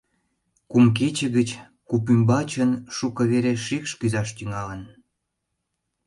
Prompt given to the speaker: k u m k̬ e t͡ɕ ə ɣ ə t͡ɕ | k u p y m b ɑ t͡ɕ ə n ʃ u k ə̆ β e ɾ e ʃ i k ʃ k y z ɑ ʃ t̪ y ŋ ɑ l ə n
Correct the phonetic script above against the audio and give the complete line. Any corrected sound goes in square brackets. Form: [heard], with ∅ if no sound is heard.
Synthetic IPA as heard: k u m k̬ e t͡ɕ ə ɣ ə t͡ɕ | k u p y m b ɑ t͡ɕ ə n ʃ u k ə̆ β e ɾ e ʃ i k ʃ k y z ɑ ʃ t̪ y ŋ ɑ l ə n